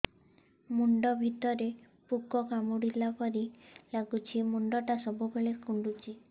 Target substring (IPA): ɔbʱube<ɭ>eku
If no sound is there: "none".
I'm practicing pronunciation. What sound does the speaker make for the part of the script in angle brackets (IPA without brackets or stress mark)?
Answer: ɭ